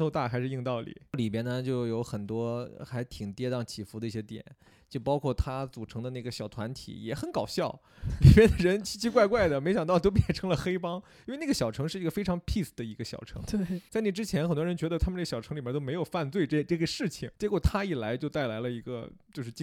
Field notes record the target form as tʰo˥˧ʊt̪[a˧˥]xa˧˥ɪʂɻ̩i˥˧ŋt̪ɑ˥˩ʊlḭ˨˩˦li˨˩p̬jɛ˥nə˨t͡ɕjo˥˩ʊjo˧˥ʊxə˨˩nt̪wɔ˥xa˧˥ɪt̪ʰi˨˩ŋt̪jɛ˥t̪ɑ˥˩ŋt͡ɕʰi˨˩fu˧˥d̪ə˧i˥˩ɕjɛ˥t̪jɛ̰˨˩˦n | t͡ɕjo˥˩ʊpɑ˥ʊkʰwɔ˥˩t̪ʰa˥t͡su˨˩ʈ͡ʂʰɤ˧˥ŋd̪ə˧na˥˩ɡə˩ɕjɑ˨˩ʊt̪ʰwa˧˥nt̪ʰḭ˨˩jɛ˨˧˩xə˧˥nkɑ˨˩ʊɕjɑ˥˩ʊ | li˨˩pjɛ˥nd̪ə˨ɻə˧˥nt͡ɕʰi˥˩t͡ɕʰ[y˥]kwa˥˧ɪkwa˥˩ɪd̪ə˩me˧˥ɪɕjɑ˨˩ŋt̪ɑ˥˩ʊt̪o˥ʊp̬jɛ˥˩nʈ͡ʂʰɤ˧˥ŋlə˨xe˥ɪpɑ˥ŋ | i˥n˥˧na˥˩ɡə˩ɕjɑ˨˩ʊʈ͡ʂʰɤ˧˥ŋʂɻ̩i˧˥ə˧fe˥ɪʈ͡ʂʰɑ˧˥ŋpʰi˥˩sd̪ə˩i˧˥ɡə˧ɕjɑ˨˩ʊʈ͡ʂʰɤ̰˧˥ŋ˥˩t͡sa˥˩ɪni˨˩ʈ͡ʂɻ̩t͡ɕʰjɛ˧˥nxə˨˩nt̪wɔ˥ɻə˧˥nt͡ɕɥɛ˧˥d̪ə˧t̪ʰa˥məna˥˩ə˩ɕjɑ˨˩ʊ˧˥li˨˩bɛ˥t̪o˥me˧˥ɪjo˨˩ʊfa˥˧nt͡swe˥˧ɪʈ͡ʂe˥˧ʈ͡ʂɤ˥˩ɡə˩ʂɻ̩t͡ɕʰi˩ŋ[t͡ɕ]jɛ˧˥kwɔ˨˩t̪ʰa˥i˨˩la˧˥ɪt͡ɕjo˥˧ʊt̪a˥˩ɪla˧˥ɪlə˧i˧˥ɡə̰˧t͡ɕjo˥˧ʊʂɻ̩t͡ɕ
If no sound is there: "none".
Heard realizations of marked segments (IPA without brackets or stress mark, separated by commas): a˥˩, i˥, t͡ɕ